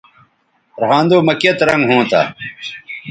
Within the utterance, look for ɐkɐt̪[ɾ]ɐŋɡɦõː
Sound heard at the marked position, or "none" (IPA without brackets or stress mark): ɾ